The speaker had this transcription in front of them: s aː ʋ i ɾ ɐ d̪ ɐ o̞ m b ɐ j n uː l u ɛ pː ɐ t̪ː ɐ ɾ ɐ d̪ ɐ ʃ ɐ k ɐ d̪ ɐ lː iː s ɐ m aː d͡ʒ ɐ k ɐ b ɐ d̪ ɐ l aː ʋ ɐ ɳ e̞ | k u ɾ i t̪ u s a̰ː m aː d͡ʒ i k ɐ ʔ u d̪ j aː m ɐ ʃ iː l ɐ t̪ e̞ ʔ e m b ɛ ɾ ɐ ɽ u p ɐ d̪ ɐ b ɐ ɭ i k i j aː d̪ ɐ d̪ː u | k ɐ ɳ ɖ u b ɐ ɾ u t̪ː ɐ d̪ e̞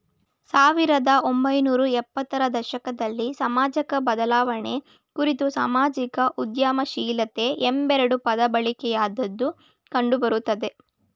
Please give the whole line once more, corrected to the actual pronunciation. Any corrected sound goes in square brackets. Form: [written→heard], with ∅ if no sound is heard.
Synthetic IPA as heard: s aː ʋ i ɾ ɐ d̪ ɐ o̞ m b ɐ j n uː [l→ɾ] u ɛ pː ɐ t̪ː ɐ ɾ ɐ d̪ ɐ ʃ ɐ k ɐ d̪ ɐ lː [iː→i] s ɐ m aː d͡ʒ ɐ k ɐ b ɐ d̪ ɐ l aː ʋ ɐ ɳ e̞ | k u ɾ i t̪ u s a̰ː m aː d͡ʒ i k ɐ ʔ u d̪ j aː m ɐ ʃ iː l ɐ t̪ e̞ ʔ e m b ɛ ɾ ɐ ɽ u p ɐ d̪ ɐ b ɐ ɭ i k [i→ɛ] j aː d̪ ɐ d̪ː u | k ɐ ɳ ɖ u b ɐ ɾ u t̪ː ɐ d̪ e̞